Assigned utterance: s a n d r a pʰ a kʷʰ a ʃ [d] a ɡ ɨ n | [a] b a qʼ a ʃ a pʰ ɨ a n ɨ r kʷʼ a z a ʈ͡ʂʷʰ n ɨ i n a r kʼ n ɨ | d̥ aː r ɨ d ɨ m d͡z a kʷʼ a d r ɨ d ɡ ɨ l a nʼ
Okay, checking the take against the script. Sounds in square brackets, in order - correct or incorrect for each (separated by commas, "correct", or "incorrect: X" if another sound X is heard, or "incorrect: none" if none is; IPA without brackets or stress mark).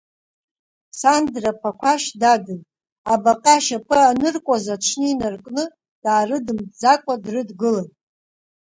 correct, correct